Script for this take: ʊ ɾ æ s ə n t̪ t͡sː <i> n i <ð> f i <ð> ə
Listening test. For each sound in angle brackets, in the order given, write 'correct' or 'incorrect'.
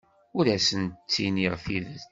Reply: correct, incorrect, correct

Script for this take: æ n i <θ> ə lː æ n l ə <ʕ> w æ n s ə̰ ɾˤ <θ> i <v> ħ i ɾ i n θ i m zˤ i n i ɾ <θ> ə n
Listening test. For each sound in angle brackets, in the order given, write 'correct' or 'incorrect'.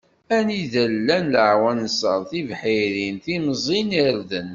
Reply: incorrect, correct, correct, correct, incorrect

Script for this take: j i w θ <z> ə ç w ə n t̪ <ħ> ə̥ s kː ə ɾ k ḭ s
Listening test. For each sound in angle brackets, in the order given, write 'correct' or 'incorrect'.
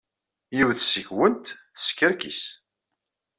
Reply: incorrect, incorrect

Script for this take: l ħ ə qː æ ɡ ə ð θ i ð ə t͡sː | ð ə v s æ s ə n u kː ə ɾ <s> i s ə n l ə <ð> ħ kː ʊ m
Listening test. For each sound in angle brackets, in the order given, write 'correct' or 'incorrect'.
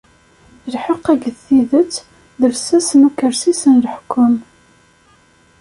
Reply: correct, incorrect

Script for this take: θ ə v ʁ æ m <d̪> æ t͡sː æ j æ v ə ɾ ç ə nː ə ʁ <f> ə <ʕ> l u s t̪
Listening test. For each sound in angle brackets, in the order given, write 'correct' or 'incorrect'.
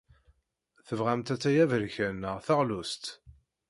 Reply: incorrect, incorrect, incorrect

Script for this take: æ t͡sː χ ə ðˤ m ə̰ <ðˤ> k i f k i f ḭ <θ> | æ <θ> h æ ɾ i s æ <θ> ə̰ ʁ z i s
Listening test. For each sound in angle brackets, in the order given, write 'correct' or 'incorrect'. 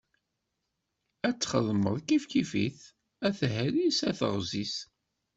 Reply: correct, correct, correct, correct

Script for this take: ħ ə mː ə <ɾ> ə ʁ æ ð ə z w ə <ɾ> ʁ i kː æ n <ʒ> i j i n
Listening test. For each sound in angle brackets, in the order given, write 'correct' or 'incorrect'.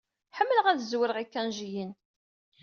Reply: incorrect, correct, correct

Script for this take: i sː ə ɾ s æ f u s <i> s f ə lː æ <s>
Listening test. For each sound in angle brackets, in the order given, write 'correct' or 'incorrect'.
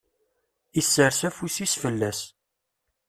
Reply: correct, correct

